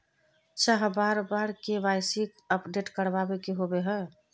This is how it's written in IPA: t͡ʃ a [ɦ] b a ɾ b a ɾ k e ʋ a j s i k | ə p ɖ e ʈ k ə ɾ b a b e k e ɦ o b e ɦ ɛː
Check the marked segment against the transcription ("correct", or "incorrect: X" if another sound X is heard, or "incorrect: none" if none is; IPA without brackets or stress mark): correct